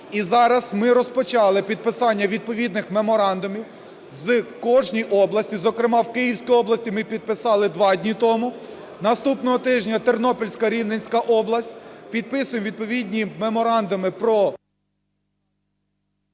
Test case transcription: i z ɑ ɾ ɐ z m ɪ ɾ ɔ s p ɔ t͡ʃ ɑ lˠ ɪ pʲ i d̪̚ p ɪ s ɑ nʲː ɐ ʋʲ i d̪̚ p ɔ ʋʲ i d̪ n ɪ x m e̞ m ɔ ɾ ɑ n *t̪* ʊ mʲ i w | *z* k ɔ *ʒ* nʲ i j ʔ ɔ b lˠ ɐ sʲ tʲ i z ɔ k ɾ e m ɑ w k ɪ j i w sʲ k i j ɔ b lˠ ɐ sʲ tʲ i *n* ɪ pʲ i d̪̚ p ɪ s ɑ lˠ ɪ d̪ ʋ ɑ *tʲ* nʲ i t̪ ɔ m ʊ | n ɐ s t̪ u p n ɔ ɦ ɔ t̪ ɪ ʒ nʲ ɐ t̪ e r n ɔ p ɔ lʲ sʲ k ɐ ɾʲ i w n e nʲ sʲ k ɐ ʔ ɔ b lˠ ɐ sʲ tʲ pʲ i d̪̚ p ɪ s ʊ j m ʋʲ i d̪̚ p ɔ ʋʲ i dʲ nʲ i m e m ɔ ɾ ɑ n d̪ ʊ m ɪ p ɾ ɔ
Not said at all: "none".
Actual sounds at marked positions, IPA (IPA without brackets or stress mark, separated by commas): d̪, z, ʒ, m, dʲ